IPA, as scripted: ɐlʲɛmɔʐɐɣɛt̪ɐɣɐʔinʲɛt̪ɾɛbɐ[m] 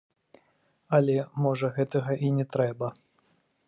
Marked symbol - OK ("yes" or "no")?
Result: no